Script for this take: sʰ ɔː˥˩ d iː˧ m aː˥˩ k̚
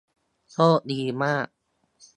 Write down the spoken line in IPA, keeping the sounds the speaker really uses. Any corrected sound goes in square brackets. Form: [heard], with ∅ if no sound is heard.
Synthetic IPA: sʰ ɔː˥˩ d iː˧ m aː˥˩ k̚